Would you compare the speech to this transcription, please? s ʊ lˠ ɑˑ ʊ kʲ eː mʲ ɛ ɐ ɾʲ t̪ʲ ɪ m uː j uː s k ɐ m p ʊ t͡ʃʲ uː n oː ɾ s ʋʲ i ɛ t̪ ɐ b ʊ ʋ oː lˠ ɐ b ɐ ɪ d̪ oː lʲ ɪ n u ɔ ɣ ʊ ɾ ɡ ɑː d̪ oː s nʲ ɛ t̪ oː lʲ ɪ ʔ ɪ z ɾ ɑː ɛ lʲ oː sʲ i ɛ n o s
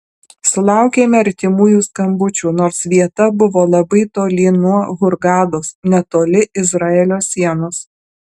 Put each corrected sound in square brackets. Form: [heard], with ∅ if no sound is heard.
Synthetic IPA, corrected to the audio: s ʊ lˠ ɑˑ ʊ kʲ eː mʲ ɛ ɐ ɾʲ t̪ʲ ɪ m uː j uː s k ɐ m [b] ʊ t͡ʃʲ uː n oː ɾ s ʋʲ i ɛ t̪ ɐ b ʊ ʋ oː lˠ ɐ b ɐ ɪ [t̪] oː lʲ ɪ n u ɔ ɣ ʊ ɾ ɡ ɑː d̪ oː s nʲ ɛ t̪ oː lʲ ɪ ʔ ɪ z ɾ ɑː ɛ lʲ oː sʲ i ɛ n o s